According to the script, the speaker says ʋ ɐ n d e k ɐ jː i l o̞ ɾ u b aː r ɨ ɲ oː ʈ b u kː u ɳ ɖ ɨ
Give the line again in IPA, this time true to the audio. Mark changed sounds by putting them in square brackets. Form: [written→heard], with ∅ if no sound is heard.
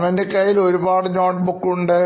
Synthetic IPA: ʋ ɐ n d e k ɐ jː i l o̞ ɾ u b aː [r→ɽ] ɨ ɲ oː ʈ b u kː u ɳ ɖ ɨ